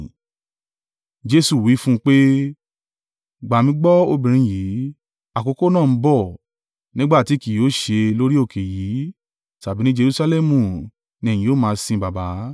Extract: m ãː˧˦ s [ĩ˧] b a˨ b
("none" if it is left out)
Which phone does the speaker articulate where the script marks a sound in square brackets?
ĩ˧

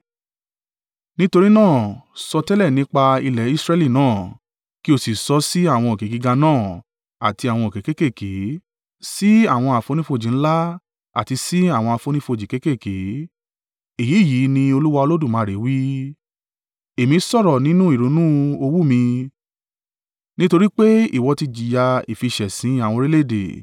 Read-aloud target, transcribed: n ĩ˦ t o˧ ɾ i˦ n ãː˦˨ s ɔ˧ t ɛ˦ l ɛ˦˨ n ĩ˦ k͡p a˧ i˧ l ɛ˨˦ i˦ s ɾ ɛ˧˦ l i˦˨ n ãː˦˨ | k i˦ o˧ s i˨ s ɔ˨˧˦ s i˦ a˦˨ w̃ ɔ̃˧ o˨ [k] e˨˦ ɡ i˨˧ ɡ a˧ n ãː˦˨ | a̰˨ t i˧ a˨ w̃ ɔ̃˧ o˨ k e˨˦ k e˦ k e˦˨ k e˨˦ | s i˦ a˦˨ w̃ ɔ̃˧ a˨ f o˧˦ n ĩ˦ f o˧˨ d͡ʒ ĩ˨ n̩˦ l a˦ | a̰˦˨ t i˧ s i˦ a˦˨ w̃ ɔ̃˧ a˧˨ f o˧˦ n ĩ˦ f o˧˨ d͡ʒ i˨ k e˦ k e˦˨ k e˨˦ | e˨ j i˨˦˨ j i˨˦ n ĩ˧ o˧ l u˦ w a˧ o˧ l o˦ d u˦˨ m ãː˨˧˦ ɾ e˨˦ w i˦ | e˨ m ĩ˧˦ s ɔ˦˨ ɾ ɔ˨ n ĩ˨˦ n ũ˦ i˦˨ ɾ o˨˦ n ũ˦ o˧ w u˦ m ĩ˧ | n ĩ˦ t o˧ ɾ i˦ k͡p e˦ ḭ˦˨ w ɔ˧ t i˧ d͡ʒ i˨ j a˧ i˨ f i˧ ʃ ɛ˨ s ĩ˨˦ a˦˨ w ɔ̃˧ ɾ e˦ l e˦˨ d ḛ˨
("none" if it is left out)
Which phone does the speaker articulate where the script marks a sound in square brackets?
k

